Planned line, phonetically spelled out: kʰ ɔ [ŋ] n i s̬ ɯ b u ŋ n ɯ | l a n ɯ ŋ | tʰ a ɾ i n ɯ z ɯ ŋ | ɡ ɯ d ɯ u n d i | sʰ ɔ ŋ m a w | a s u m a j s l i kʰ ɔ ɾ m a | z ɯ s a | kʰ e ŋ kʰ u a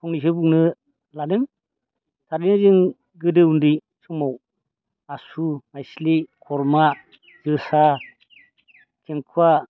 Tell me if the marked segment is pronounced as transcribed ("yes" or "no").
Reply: yes